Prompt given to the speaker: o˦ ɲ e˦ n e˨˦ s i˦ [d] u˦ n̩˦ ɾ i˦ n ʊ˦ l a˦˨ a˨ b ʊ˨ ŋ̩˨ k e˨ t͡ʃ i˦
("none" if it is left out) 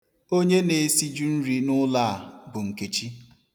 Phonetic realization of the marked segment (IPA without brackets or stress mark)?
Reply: d͡ʒ